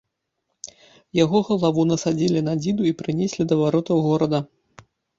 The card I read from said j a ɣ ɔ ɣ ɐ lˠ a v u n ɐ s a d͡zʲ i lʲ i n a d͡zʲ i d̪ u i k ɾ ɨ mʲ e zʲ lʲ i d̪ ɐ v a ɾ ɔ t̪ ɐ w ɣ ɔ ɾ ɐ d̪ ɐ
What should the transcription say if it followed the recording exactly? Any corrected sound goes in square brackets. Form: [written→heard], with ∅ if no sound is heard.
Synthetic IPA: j a ɣ ɔ ɣ ɐ lˠ a v u n ɐ s a d͡zʲ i lʲ i n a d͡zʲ i d̪ u i [k→p] ɾ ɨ [mʲ→nʲ] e [zʲ→sʲ] lʲ i d̪ ɐ v a ɾ ɔ t̪ ɐ w ɣ ɔ ɾ ɐ d̪ ɐ